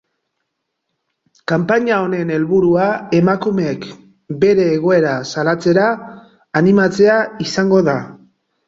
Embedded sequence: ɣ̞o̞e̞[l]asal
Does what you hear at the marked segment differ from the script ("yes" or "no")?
yes